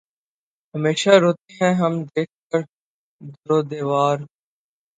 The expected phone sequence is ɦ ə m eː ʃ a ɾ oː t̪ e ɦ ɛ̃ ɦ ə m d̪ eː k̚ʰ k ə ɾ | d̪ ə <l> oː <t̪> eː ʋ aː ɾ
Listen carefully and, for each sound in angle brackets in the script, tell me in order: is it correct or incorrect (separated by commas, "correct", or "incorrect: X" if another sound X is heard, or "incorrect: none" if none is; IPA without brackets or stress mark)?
incorrect: ɾ, incorrect: d̪